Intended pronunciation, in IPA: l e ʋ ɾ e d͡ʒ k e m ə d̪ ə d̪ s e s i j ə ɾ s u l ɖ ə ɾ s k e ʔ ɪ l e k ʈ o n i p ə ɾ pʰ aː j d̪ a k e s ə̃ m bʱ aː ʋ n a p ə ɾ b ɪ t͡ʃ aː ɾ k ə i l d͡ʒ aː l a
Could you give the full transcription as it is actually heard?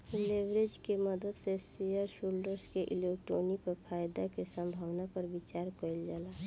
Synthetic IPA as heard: l e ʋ ɾ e d͡ʒ k e m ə d̪ ə d̪ s e s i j ə ɾ s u l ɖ ə ɾ s k e ʔ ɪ l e k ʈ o n i p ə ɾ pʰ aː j d̪ a k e s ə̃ m bʱ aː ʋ n a p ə ɾ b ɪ t͡ʃ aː ɾ k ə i l d͡ʒ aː l a